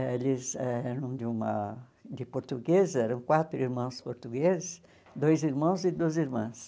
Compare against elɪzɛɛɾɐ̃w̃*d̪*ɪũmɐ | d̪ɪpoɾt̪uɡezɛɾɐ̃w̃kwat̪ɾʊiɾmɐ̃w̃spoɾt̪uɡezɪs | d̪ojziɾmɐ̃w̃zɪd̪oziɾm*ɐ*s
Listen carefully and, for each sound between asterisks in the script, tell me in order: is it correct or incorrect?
correct, incorrect: ɐ̃

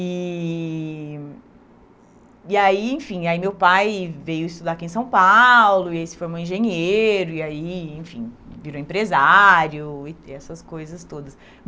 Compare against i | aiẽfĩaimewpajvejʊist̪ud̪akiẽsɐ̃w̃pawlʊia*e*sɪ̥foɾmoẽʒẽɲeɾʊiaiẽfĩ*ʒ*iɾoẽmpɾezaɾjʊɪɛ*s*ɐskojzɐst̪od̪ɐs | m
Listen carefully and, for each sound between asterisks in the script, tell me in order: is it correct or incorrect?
incorrect: i, incorrect: v, correct

